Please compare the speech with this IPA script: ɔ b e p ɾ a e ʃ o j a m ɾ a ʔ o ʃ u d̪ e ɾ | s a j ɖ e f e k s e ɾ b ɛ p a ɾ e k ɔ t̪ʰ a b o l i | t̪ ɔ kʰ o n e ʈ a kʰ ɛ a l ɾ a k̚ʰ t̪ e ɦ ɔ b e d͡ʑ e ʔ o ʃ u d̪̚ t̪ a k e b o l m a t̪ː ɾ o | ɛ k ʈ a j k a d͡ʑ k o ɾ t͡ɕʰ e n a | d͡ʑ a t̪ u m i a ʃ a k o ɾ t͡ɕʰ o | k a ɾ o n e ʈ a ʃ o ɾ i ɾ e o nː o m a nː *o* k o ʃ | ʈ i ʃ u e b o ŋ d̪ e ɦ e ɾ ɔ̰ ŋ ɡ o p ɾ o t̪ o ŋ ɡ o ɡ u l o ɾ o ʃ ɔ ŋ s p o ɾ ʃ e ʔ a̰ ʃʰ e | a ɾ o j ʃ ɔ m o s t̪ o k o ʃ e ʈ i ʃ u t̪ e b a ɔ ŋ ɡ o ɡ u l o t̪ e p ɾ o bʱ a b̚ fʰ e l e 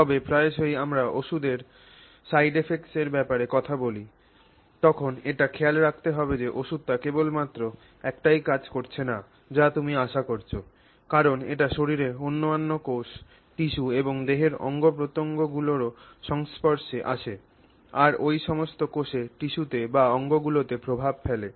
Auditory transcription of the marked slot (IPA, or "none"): o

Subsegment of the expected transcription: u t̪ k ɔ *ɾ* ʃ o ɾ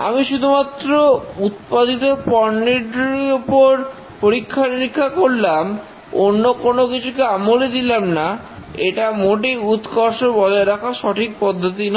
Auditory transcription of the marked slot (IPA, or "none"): ɾ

